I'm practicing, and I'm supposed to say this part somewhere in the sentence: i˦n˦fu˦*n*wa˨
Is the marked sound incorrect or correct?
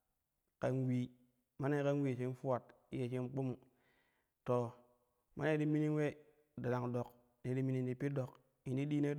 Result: incorrect: none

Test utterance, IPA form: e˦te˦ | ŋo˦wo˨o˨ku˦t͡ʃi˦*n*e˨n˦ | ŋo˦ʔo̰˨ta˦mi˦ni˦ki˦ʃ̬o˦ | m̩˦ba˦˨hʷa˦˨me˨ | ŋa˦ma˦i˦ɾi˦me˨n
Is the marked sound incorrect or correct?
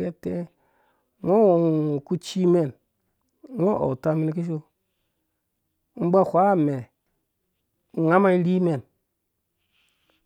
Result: incorrect: m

